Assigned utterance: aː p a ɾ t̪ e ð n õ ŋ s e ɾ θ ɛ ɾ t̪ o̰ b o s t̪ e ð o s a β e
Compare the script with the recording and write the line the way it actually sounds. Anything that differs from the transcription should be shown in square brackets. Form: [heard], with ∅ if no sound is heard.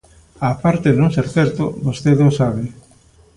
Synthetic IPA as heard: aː p a ɾ t̪ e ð n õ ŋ s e ɾ θ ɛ ɾ t̪ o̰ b o s t̪ e ð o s a β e